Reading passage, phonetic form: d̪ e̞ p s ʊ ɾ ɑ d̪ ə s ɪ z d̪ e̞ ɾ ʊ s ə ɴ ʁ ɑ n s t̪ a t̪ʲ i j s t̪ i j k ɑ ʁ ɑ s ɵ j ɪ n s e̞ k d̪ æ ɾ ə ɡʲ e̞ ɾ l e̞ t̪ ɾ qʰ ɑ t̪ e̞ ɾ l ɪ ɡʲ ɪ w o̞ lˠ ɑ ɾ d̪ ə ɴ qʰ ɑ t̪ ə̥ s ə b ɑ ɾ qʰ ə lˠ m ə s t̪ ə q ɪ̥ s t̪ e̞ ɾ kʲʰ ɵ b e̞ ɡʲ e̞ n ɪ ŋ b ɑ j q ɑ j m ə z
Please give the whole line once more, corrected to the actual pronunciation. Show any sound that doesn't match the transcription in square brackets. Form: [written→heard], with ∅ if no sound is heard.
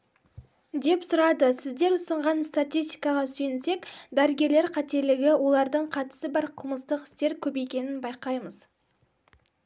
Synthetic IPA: d̪ e̞ p s ʊ ɾ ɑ d̪ ə s ɪ z d̪ e̞ ɾ ʊ s ə ɴ ʁ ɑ n s t̪ a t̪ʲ i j s t̪ i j k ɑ ʁ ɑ s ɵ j ɪ n s e̞ k d̪ æ ɾ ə ɡʲ e̞ ɾ l e̞ [t̪→∅] ɾ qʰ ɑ t̪ e̞ ɾ l ɪ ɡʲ ɪ w o̞ lˠ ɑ ɾ d̪ ə ɴ qʰ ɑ t̪ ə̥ s ə b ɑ ɾ qʰ ə lˠ m ə s t̪ ə q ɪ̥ s t̪ e̞ ɾ kʲʰ ɵ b e̞ [ɡʲ→kʲ] e̞ n ɪ [ŋ→n] b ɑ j q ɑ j m ə z